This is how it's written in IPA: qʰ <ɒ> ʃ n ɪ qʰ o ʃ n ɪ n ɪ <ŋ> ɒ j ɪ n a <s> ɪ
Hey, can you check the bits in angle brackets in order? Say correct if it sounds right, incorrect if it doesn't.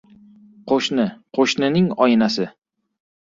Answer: incorrect: o, correct, correct

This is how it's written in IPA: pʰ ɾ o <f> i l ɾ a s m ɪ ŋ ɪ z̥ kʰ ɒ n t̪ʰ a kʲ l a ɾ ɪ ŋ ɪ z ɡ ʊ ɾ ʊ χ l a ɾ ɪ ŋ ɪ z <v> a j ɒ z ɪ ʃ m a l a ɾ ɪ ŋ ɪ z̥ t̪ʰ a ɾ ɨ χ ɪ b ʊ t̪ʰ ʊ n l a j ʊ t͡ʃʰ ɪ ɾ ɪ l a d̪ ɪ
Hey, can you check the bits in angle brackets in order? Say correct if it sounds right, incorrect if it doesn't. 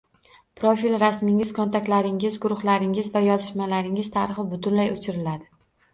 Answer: correct, correct

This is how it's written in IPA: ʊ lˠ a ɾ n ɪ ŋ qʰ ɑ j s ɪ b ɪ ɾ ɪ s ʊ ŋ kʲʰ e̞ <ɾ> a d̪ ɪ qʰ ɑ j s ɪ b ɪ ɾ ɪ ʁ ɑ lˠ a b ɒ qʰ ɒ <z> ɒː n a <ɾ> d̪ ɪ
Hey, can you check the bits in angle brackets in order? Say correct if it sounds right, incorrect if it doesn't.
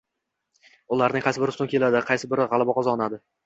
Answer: incorrect: l, correct, incorrect: none

